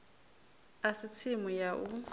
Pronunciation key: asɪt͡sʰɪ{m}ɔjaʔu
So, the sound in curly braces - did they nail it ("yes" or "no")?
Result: yes